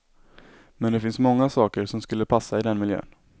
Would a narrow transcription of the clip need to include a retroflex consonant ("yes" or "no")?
no